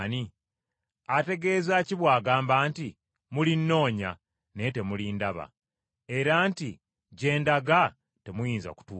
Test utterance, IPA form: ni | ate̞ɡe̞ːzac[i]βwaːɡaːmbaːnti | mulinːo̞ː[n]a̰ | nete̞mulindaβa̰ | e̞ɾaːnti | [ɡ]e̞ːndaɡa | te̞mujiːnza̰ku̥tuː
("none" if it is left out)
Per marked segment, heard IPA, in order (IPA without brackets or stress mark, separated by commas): i, ɲ, ɟ